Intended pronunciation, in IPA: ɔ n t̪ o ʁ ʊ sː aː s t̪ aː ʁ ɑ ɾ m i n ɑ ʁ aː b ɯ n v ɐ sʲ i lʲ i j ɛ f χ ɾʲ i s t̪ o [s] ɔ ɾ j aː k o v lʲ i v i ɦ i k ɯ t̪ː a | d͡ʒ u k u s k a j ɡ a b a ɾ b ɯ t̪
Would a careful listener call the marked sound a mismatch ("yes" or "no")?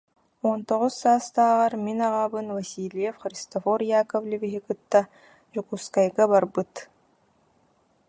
yes